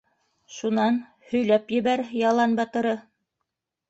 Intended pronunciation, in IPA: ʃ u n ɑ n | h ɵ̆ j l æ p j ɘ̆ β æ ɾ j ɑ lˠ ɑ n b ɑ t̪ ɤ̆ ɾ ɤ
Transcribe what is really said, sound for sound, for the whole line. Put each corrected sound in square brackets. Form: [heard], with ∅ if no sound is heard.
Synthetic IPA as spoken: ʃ u n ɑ n | h ɵ̆ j l æ p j ɘ̆ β æ ɾ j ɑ lˠ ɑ n b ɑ t̪ ɤ̆ ɾ ɤ